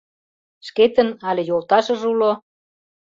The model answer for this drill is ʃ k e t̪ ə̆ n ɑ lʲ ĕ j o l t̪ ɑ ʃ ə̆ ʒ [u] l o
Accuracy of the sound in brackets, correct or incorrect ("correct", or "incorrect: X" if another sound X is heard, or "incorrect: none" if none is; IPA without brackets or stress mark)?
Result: correct